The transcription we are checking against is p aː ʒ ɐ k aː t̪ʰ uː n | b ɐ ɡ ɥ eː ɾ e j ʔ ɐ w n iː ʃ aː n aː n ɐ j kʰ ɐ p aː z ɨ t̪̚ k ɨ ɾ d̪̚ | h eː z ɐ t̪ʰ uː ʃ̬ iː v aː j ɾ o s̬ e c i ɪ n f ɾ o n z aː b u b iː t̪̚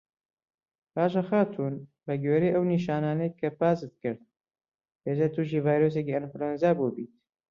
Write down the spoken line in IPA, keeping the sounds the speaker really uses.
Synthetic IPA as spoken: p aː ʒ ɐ x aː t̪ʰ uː n | b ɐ ɡ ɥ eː ɾ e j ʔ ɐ w n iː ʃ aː n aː n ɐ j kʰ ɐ p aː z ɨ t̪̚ k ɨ ɾ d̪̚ | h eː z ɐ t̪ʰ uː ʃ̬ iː v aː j ɾ o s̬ e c i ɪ n f ɾ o n z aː b u b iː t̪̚